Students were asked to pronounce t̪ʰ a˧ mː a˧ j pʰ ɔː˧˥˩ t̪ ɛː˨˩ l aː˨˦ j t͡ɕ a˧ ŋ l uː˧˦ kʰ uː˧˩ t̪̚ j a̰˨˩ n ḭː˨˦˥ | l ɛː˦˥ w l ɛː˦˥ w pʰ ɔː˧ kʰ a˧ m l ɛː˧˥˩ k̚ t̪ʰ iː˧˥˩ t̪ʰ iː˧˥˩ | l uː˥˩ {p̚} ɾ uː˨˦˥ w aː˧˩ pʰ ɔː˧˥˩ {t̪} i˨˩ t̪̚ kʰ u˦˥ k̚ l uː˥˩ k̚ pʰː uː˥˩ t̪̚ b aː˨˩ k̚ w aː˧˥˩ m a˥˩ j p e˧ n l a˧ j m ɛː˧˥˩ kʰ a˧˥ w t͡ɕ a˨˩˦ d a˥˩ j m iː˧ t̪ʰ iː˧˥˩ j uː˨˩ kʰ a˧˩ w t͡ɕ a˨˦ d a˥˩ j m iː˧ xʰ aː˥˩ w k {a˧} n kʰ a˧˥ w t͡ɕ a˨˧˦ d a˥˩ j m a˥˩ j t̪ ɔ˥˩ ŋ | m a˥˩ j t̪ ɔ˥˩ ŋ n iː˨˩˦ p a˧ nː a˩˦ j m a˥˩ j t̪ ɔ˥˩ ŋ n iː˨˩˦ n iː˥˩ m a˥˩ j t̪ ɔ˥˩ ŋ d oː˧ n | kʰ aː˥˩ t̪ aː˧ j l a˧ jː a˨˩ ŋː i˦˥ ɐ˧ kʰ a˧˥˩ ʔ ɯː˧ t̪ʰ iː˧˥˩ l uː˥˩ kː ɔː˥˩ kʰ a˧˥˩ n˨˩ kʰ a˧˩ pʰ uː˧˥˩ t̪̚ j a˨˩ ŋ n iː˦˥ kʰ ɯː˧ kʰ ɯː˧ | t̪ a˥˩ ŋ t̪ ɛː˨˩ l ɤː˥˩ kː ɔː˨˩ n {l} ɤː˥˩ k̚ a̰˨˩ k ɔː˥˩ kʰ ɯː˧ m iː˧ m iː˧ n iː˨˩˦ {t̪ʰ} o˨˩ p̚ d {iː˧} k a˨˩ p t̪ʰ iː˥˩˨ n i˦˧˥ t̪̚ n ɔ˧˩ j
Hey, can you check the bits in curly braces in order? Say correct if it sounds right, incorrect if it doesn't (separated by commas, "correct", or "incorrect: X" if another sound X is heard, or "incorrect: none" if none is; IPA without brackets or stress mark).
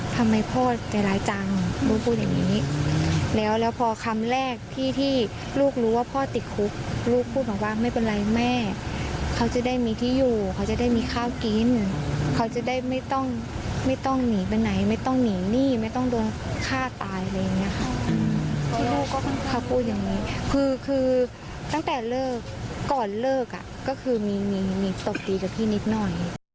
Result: incorrect: k̚, correct, incorrect: i˧, correct, incorrect: t̪, correct